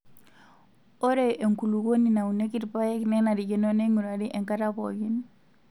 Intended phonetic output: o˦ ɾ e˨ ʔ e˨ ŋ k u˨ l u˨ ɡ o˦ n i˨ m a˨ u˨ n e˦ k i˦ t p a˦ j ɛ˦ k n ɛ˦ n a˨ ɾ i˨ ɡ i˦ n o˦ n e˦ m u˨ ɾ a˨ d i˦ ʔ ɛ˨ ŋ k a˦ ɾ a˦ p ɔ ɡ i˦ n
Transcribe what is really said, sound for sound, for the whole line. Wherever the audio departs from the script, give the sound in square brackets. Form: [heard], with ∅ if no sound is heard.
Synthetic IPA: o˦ ɾ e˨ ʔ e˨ ŋ k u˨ l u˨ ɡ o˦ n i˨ [n] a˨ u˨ n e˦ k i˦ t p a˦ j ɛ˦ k n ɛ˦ n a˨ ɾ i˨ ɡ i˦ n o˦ n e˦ [ŋ] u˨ ɾ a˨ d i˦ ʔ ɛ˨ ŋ k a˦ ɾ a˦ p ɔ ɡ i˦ n